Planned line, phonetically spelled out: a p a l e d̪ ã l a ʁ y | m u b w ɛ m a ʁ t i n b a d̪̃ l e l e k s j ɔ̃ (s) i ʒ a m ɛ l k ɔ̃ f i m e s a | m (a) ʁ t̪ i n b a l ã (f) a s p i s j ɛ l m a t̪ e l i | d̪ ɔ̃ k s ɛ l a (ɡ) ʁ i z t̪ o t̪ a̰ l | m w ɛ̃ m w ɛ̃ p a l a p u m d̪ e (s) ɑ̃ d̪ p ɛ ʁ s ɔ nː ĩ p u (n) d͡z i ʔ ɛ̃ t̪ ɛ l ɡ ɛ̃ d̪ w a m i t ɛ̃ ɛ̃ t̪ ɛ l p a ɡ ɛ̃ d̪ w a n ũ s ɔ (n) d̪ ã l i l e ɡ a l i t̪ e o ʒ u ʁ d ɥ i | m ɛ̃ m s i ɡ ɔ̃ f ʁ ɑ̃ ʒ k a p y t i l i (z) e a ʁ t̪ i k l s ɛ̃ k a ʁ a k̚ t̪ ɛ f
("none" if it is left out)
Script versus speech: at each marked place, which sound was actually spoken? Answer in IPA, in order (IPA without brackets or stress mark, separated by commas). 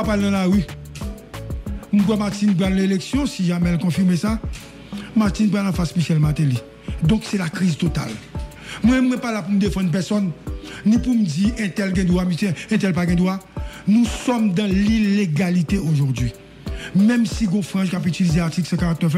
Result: s, a, f, k, f, m, m, z